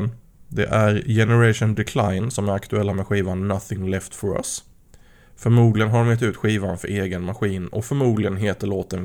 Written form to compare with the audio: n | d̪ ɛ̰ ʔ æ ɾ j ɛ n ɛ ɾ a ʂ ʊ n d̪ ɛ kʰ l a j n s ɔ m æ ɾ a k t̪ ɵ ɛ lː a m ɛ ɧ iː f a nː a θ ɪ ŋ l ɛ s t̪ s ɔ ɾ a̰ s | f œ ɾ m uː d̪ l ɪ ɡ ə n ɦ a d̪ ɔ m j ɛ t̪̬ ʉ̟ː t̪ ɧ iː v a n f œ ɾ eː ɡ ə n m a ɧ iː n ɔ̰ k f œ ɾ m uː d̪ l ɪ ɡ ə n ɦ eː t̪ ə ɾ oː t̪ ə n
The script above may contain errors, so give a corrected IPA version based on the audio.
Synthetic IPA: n | d̪ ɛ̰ ʔ æ ɾ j ɛ n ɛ ɾ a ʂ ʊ n d̪ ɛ kʰ l a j n s ɔ m æ ɾ a k t̪ ɵ ɛ lː a m ɛ ɧ iː v a nː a θ ɪ ŋ l ɛ f t̪ f ɔ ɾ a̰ s | f œ ɾ m uː d̪ l ɪ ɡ ə n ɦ a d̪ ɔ m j ɛ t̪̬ ʉ̟ː t̪ ɧ iː v a n f œ ɾ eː ɡ ə n m a ɧ iː n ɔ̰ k f œ ɾ m uː d̪ l ɪ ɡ ə n ɦ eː t̪ ə ɭ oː t̪ ə n